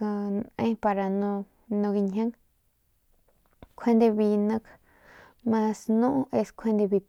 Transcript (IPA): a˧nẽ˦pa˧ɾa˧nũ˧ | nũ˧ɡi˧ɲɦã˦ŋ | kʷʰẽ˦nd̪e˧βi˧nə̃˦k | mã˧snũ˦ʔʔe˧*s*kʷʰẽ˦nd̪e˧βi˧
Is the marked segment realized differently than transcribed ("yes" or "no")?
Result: no